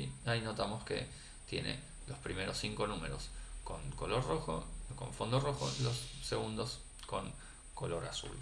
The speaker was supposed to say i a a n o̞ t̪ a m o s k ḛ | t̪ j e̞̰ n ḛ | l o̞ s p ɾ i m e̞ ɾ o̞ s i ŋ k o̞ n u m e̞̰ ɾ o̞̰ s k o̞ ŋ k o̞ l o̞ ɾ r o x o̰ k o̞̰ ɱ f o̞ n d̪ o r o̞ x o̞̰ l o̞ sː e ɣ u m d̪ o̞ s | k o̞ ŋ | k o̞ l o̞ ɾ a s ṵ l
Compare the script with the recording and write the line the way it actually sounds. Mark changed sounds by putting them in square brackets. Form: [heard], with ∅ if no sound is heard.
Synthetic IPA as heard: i a [i] n o̞ t̪ a m o s k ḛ | t̪ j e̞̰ n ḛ | l o̞ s p ɾ i m e̞ ɾ o̞ s i ŋ k o̞ n u m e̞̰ ɾ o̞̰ s k o̞ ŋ k o̞ l o̞ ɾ r o x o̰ k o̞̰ ɱ f o̞ n d̪ o r o̞ x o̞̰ l o̞ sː e ɣ u [n] d̪ o̞ s | k o̞ ŋ | k o̞ l o̞ ɾ a s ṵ l